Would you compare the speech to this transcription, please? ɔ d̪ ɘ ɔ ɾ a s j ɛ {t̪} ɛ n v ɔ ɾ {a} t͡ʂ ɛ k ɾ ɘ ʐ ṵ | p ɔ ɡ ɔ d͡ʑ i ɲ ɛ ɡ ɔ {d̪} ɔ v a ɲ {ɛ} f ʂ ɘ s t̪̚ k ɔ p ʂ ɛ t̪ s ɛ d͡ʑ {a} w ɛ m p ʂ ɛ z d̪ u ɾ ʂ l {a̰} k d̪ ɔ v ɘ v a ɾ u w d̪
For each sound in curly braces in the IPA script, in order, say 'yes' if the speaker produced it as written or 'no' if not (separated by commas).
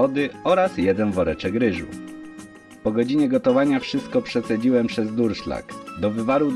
no, no, no, no, no, yes